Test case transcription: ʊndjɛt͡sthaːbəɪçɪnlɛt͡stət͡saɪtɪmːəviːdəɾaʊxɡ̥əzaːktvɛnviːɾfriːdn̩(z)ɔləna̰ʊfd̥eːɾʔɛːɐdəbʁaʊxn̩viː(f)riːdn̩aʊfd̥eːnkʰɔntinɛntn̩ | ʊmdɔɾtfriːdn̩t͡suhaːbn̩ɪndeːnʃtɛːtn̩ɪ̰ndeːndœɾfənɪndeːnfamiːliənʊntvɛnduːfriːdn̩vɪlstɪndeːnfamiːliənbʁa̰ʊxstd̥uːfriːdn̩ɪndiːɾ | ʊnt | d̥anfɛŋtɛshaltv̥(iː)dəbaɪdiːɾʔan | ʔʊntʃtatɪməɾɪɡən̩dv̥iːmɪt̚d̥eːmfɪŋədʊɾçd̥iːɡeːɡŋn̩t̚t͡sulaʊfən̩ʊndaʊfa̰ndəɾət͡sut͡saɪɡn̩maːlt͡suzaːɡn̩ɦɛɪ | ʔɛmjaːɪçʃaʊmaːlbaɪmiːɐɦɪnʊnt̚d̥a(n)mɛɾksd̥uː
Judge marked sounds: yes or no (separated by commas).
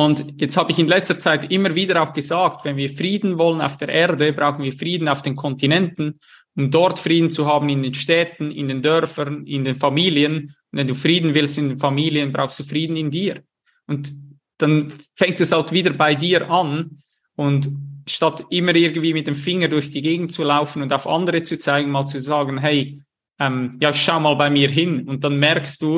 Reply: no, yes, yes, yes